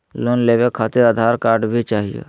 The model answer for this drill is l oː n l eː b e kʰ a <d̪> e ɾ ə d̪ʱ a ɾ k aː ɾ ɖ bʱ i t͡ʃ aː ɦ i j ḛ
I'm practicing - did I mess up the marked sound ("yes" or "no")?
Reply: yes